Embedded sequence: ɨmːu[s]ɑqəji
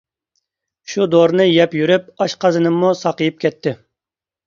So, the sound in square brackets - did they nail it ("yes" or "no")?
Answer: yes